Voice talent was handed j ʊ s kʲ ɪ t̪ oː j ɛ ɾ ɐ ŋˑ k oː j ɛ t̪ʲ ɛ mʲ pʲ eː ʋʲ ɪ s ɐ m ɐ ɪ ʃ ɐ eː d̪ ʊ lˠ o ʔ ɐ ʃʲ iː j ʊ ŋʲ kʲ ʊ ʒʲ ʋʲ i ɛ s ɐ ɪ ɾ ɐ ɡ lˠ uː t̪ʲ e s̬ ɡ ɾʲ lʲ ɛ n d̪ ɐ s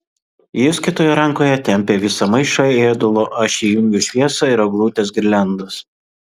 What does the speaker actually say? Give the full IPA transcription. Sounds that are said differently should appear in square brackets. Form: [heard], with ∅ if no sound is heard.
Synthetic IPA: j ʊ s kʲ ɪ t̪ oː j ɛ ɾ ɐ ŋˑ k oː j ɛ t̪ʲ ɛ mʲ pʲ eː ʋʲ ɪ s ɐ m ɐ ɪ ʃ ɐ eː d̪ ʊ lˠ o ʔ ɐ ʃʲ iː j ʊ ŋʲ [ɡʲ] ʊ [ʃʲ] ʋʲ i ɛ s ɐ ɪ ɾ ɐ ɡ lˠ uː t̪ʲ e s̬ ɡ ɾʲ lʲ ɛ n d̪ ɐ s

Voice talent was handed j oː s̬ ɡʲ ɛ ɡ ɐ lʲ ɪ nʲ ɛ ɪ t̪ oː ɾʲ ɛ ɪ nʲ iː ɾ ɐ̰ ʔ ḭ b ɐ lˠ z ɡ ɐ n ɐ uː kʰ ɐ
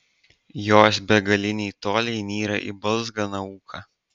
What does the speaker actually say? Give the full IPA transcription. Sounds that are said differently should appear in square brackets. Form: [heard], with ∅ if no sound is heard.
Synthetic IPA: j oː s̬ [bʲ] ɛ ɡ ɐ lʲ ɪ nʲ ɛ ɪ t̪ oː [lʲ] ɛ ɪ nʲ iː ɾ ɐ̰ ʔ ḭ b ɐ lˠ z ɡ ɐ n ɐ uː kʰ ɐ

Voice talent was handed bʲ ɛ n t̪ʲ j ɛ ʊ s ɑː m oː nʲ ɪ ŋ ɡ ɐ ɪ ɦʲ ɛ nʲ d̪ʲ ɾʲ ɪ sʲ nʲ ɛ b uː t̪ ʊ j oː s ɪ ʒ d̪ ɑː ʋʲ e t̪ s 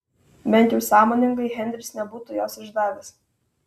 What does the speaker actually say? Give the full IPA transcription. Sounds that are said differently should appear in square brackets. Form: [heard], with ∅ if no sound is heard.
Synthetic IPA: bʲ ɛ n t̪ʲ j ɛ ʊ s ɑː m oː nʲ ɪ ŋ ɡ ɐ ɪ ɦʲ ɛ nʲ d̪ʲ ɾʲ ɪ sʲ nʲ ɛ b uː t̪ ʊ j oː s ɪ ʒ d̪ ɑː ʋʲ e [∅] s

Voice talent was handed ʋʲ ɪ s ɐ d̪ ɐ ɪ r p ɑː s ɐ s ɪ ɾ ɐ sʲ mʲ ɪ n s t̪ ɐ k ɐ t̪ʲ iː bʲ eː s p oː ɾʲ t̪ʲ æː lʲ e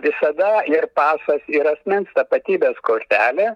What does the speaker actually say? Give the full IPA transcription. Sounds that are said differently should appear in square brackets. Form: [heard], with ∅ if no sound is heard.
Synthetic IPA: ʋʲ ɪ s ɐ d̪ ɐ ɪ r p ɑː s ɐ s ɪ ɾ ɐ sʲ mʲ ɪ n s t̪ ɐ [p] ɐ t̪ʲ iː bʲ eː s [k] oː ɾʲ t̪ʲ æː lʲ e

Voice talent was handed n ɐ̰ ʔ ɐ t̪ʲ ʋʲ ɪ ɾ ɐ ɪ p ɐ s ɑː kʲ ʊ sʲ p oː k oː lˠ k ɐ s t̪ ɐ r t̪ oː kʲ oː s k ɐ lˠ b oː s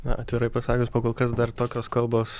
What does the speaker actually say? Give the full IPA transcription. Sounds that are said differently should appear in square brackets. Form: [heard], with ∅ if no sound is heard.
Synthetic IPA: n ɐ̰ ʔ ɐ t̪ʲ ʋʲ ɪ ɾ ɐ ɪ p ɐ s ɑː kʲ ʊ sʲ p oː k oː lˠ k ɐ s [d̪] ɐ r t̪ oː kʲ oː s k ɐ lˠ b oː s

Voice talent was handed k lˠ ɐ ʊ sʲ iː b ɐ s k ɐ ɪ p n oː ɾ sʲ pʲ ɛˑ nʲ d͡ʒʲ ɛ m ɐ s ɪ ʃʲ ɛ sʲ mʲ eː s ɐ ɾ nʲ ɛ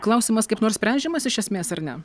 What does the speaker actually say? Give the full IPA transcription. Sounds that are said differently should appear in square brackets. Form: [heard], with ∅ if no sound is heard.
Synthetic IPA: k lˠ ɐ ʊ sʲ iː [m] ɐ s k ɐ ɪ p n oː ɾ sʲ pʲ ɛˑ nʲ d͡ʒʲ ɛ m ɐ s ɪ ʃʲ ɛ sʲ mʲ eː s ɐ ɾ nʲ ɛ

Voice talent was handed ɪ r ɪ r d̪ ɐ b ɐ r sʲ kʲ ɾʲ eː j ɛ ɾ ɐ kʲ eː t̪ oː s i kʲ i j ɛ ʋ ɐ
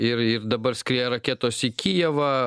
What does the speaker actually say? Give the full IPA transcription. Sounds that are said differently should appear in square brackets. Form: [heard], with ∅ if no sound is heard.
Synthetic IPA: ɪ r ɪ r d̪ ɐ b ɐ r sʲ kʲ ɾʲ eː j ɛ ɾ ɐ kʲ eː t̪ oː s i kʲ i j ɛ ʋ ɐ

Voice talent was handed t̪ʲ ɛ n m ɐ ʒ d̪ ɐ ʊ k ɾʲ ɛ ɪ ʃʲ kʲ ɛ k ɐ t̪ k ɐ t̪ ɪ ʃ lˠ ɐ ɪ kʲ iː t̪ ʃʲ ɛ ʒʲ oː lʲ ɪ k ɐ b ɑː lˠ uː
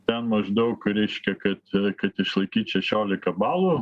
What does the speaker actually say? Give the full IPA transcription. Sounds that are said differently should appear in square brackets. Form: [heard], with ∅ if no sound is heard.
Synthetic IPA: t̪ʲ ɛ n m ɐ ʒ d̪ ɐ ʊ k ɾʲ ɛ ɪ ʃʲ kʲ ɛ k ɐ t̪ k ɐ t̪ ɪ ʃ lˠ ɐ ɪ kʲ iː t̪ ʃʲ ɛ [ʃʲ] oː lʲ ɪ k ɐ b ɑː lˠ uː

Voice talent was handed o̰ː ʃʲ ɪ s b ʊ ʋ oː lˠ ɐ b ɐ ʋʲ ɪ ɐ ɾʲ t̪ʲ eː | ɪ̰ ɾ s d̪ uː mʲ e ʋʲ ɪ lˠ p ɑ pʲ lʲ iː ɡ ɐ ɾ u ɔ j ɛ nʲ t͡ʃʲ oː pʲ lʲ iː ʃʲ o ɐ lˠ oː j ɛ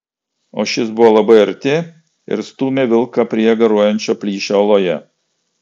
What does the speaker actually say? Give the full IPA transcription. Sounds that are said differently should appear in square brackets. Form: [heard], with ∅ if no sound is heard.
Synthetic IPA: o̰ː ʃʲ ɪ s b ʊ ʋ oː lˠ ɐ b ɐ [∅] ɪ ɐ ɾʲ t̪ʲ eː | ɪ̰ ɾ s [t̪] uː mʲ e ʋʲ ɪ lˠ [k] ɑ pʲ [ɾʲ] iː ɡ ɐ ɾ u ɔ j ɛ nʲ t͡ʃʲ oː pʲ lʲ iː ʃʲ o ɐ lˠ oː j ɛ

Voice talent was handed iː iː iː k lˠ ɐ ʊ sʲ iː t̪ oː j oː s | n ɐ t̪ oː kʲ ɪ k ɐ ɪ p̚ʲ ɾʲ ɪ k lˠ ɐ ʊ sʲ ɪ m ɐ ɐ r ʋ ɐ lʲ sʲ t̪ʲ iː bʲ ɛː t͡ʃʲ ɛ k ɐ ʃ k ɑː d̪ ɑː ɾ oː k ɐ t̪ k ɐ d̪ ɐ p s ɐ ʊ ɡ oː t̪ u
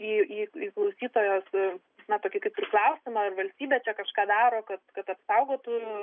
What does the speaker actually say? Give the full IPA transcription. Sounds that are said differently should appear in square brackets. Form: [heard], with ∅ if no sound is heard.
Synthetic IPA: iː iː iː k lˠ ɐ ʊ sʲ iː t̪ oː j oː s | n ɐ t̪ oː kʲ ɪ k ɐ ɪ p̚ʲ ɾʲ ɪ k lˠ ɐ ʊ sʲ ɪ m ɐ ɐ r ʋ ɐ lʲ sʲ t̪ʲ iː bʲ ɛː t͡ʃʲ ɛ k ɐ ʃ k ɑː d̪ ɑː ɾ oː k ɐ t̪ k ɐ [t̪] ɐ p s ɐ ʊ ɡ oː t̪ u

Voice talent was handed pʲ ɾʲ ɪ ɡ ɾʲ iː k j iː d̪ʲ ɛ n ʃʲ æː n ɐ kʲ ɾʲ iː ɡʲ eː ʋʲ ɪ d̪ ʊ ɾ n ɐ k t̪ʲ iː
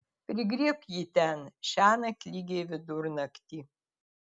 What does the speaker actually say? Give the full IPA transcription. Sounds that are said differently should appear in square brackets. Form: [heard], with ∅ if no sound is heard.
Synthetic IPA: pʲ ɾʲ ɪ ɡ ɾʲ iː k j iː [t̪ʲ] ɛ n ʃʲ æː n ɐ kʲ [lʲ] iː ɡʲ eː ʋʲ ɪ d̪ ʊ ɾ n ɐ k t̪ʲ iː

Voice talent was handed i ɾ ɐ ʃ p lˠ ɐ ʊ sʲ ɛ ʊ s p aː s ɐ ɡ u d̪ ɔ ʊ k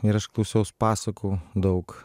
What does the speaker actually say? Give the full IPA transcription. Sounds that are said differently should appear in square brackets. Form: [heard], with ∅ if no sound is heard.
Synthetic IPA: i ɾ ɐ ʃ [k] lˠ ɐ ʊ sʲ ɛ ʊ s p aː s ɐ [k] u d̪ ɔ ʊ k

